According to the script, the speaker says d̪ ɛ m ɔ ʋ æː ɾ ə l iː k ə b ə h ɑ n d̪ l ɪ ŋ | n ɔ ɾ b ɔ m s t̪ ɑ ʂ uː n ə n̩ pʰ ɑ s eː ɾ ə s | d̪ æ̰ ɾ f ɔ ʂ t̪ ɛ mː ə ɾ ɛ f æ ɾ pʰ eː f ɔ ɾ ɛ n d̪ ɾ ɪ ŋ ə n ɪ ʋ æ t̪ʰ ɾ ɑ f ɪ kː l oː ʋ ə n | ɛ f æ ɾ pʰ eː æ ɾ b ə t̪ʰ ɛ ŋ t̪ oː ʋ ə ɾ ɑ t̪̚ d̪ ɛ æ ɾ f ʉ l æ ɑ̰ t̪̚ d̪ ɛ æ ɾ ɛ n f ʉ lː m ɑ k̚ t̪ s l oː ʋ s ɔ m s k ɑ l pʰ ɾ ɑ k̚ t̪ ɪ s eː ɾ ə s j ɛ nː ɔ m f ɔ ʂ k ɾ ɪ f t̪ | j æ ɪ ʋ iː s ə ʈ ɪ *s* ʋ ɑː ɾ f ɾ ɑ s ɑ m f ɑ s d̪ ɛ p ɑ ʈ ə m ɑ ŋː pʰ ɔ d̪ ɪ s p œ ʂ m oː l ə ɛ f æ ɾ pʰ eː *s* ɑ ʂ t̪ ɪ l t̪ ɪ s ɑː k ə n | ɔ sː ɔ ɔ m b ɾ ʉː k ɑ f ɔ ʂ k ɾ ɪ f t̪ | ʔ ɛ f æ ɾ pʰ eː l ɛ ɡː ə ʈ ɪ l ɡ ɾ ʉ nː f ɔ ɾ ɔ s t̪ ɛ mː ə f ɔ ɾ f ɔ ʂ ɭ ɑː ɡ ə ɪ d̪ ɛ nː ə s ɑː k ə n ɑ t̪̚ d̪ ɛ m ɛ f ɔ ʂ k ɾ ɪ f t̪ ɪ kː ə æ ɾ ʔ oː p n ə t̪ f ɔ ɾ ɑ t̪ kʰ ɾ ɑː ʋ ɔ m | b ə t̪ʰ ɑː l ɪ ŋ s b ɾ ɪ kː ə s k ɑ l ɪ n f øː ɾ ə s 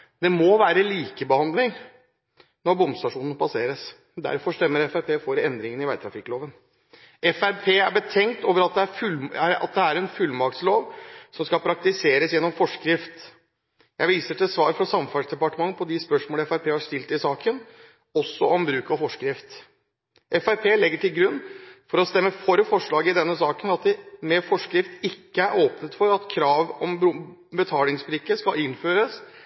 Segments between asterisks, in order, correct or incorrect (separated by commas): correct, incorrect